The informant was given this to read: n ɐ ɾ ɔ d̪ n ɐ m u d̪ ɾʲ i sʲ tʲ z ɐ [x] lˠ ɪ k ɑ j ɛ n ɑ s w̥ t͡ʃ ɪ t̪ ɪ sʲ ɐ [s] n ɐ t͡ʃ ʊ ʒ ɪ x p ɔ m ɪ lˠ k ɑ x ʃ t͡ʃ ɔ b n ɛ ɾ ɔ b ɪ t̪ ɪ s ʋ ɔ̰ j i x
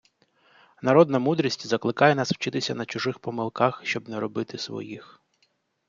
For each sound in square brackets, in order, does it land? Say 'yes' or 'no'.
no, no

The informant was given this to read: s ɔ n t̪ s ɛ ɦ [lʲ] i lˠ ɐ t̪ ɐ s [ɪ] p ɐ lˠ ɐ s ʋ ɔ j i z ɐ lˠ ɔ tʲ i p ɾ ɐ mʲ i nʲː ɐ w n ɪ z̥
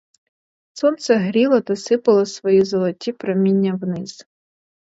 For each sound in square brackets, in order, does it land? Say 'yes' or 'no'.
no, yes

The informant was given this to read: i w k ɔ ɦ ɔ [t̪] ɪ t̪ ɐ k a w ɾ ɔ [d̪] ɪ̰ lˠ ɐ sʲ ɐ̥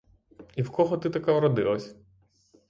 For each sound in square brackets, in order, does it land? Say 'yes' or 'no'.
yes, yes

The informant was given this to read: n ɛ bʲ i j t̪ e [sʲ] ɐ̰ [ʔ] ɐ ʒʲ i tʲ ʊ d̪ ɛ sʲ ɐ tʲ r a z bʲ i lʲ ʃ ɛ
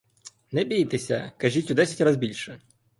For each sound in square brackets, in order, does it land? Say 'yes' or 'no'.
yes, no

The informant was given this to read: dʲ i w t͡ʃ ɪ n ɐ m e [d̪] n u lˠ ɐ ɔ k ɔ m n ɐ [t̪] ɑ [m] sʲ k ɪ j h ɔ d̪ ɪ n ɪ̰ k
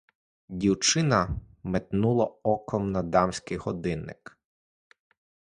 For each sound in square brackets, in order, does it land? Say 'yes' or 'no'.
no, no, yes

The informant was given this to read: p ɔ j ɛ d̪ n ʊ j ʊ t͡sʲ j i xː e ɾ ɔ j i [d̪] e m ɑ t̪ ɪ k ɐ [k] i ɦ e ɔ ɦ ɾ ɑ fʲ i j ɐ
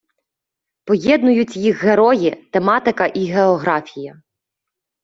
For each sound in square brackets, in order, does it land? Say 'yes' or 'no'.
no, no

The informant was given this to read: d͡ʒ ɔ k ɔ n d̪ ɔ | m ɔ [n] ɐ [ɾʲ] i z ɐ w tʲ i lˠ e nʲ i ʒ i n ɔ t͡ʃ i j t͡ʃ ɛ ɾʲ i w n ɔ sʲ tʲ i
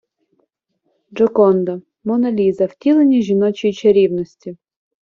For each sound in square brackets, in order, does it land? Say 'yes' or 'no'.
yes, no

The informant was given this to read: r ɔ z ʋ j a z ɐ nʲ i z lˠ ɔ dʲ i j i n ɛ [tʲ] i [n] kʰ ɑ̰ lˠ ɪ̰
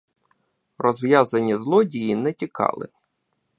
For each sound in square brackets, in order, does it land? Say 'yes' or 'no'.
yes, no

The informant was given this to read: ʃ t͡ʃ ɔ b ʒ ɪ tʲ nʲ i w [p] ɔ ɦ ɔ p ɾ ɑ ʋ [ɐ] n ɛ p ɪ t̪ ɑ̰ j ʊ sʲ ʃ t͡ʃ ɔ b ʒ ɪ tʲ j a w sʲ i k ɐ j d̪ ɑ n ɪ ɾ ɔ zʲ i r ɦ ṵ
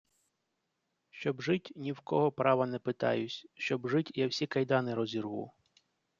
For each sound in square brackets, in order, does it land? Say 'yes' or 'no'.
no, yes

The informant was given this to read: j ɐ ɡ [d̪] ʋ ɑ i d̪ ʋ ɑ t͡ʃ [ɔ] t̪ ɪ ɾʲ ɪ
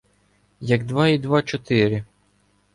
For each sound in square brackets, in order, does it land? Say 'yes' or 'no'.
yes, yes

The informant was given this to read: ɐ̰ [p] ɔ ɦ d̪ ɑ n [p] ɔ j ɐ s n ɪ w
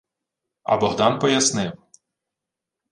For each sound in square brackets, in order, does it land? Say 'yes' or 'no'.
no, yes

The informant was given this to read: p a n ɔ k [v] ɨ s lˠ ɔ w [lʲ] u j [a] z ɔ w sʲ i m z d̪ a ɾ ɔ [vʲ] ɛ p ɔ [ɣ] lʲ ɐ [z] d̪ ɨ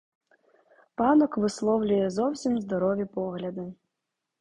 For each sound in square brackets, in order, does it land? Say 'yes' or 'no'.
yes, yes, no, yes, yes, no

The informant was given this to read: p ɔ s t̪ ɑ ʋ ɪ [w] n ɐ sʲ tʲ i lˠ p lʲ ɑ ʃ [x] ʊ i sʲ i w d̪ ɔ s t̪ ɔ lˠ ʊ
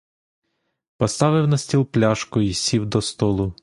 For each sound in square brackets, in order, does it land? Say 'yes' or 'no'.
yes, no

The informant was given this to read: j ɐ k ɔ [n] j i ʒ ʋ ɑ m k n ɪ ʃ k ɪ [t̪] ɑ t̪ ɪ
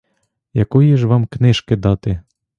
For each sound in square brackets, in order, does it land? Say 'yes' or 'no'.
no, no

